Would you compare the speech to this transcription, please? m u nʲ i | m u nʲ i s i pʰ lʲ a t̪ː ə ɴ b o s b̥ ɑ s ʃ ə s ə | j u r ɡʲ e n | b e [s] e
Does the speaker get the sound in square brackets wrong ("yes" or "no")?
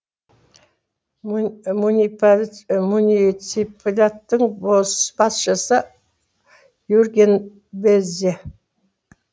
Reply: yes